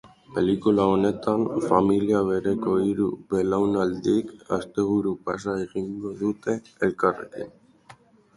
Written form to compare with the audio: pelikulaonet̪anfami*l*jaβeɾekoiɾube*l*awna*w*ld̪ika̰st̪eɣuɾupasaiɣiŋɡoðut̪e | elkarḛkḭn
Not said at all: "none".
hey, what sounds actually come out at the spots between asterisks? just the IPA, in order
l, l, none

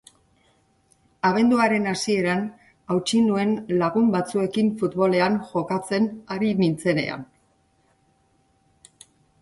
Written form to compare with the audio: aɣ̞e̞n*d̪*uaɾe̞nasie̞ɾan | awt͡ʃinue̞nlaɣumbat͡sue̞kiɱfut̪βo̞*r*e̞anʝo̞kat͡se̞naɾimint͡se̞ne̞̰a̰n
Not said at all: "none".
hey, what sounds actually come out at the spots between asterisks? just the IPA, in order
d̪, l

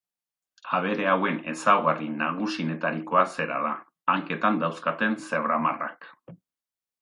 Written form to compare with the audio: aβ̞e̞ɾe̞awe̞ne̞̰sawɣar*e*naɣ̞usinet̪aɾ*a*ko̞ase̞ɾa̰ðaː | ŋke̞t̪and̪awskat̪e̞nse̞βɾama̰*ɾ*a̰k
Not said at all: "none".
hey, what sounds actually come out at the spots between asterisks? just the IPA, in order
i, i, r

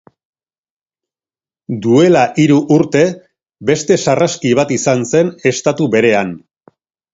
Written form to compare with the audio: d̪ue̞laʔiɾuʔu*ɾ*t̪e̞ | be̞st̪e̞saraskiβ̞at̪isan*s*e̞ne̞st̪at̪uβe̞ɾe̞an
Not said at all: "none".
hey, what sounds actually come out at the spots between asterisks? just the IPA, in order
ɾ, s

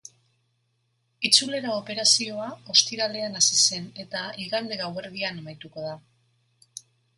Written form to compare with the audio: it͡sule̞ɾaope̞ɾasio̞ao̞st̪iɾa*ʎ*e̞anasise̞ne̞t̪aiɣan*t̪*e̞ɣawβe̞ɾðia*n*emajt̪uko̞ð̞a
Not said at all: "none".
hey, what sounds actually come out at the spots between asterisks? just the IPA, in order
l, d̪, n

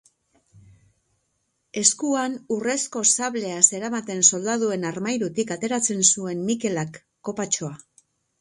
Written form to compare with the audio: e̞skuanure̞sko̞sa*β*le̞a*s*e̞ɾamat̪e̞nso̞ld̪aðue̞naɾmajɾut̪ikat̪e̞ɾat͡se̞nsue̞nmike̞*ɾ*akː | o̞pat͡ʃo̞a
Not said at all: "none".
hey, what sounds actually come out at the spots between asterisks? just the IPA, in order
β, s, l

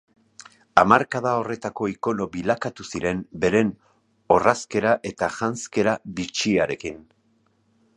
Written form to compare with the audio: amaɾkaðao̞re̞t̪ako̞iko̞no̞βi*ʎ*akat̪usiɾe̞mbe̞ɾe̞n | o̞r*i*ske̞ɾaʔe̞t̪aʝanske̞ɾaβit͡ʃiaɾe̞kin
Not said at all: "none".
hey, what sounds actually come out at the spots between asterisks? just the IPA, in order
l, a

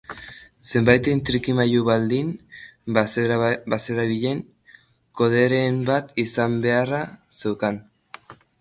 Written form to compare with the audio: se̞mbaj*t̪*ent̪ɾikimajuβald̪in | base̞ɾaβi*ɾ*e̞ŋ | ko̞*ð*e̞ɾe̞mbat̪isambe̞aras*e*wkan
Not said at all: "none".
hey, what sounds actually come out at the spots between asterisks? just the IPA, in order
t̪, ʎ, ð, e

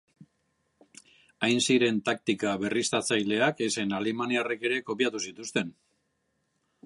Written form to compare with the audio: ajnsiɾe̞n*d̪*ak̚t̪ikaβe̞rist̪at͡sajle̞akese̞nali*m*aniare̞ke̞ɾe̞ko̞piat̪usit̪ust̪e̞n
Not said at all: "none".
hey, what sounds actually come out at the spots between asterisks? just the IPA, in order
t̪, m

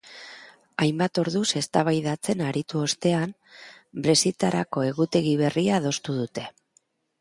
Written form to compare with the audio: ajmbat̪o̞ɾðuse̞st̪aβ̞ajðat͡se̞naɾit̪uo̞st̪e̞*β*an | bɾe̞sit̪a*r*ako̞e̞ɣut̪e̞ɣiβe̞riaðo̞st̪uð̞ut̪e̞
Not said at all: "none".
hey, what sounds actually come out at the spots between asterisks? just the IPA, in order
none, ɾ

